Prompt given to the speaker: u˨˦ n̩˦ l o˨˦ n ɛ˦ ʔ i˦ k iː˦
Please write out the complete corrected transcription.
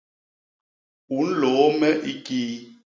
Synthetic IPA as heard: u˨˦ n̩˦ l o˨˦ m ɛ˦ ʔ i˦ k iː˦